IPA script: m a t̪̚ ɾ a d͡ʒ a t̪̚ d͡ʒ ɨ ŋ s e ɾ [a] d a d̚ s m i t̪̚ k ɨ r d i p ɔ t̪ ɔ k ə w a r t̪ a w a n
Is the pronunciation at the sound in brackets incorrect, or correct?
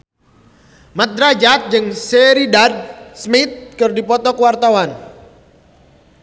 incorrect